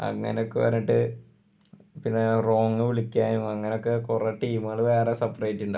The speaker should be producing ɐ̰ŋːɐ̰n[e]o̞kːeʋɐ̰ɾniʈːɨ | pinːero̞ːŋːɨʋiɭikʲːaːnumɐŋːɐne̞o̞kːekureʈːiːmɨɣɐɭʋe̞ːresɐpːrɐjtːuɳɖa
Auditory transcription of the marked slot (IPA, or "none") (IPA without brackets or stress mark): e